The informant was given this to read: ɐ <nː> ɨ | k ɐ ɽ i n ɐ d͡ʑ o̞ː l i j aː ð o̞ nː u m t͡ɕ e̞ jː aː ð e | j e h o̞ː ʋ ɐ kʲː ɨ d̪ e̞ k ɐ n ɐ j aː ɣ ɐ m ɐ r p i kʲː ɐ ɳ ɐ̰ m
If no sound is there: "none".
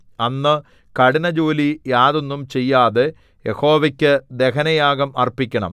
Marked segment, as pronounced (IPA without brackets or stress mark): nː